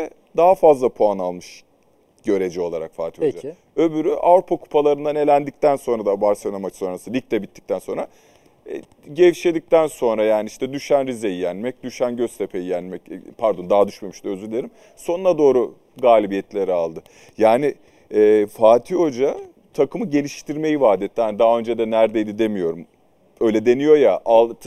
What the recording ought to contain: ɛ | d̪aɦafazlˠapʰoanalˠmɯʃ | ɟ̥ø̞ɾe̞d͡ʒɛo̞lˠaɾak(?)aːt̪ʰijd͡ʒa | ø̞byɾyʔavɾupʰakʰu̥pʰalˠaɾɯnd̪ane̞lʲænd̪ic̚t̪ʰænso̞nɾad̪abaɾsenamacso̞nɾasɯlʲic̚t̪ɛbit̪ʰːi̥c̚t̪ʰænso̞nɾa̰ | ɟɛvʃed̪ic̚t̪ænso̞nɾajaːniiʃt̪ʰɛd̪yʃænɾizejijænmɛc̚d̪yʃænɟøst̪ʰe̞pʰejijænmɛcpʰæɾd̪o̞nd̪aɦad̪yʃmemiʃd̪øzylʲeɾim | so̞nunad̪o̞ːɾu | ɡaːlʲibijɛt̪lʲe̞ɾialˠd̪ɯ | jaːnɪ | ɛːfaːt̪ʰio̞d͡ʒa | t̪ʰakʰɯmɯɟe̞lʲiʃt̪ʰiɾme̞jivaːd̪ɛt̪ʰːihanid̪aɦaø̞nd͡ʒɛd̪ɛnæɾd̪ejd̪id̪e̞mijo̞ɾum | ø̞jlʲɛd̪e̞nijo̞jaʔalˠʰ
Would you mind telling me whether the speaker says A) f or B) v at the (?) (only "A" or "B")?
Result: A